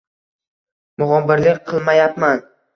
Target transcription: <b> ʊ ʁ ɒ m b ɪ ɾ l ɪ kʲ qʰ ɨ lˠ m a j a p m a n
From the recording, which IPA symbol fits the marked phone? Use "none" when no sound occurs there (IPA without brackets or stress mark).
m